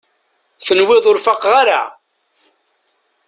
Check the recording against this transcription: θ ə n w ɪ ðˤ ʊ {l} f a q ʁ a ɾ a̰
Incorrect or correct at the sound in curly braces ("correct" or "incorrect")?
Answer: incorrect